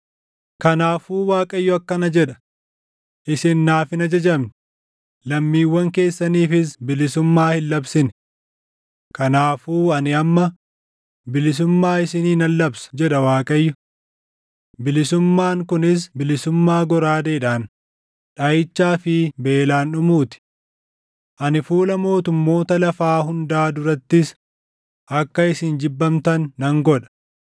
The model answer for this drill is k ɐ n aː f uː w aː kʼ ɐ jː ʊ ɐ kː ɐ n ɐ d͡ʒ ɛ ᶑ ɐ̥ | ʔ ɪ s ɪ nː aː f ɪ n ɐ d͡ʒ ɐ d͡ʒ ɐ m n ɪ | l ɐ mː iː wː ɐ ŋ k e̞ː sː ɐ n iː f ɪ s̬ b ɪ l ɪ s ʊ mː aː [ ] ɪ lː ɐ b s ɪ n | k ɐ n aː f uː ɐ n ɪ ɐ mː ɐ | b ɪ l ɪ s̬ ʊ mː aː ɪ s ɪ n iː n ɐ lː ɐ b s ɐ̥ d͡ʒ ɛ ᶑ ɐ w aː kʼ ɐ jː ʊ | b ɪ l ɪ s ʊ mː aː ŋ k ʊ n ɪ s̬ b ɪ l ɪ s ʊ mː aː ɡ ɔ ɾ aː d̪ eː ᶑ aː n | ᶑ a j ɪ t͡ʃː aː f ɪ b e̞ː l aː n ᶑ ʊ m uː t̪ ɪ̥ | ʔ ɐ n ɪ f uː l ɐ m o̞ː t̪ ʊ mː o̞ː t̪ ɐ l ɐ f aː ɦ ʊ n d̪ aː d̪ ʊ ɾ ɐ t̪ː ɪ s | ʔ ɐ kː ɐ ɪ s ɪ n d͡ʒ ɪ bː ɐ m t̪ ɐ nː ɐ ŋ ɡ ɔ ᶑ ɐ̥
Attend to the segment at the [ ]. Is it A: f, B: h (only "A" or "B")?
B